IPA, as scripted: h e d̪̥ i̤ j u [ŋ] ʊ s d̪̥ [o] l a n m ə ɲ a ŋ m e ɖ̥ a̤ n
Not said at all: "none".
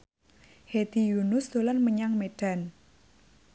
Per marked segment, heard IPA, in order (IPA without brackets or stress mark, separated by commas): n, o